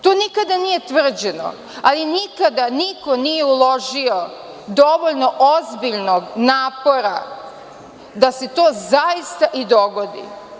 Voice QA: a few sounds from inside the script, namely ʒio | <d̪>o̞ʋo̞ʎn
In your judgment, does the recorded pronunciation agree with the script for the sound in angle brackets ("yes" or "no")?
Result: yes